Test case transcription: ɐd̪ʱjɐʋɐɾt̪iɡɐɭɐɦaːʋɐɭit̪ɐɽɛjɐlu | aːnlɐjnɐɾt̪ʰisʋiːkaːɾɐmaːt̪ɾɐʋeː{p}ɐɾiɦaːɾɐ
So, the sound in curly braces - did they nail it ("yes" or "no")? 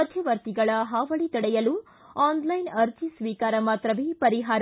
yes